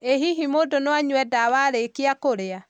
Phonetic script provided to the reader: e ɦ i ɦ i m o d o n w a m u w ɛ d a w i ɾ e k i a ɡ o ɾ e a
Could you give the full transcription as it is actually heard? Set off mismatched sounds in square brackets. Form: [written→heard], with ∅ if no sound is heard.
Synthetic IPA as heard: e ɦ i ɦ i m o d o n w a [m→ɲ] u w ɛ d a w [i→a] ɾ e k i a [ɡ→k] o ɾ e a